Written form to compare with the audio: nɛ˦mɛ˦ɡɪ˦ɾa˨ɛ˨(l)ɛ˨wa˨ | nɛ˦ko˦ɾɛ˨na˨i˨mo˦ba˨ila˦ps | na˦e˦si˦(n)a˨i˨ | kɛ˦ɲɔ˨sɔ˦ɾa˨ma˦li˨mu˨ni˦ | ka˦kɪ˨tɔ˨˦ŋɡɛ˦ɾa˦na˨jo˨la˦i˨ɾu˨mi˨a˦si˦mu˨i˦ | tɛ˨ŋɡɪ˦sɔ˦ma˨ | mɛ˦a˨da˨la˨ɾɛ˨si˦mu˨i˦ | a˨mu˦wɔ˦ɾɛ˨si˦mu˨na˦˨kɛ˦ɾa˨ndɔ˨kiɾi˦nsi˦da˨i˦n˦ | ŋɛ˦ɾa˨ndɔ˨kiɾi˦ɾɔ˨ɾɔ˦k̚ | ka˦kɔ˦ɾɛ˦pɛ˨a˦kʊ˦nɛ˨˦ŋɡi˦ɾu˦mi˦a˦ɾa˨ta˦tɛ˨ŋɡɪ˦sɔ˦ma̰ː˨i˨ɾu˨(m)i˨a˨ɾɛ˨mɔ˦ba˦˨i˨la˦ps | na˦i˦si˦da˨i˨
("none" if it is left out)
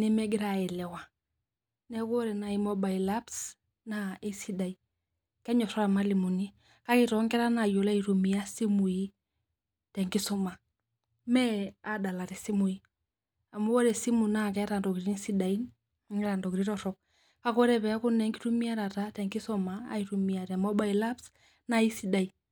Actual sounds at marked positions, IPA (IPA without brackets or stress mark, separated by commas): l, d, m